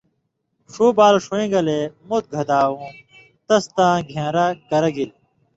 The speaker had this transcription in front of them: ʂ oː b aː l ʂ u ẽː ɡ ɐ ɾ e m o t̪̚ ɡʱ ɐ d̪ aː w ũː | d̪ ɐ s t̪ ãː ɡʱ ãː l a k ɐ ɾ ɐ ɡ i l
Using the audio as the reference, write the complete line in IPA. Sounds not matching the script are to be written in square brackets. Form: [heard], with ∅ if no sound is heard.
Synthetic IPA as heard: ʂ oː b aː l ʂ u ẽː ɡ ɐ [l] e m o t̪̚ ɡʱ ɐ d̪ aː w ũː | [t̪] ɐ s t̪ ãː ɡʱ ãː [ɾ] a k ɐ ɾ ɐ ɡ i l